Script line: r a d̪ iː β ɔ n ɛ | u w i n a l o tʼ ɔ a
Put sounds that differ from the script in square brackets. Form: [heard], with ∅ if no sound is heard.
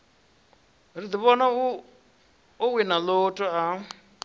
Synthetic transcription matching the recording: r [i] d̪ [i] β ɔ n [a] | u w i n a l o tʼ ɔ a